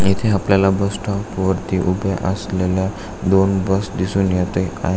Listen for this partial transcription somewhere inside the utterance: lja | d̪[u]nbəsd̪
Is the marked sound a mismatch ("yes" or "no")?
yes